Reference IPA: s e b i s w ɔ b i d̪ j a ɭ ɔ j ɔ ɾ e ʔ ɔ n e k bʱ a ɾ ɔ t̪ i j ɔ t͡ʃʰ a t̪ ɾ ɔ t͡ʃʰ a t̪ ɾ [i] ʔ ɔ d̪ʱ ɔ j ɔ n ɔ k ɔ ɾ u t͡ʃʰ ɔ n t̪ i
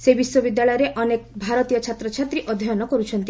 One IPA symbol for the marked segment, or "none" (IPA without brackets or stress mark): i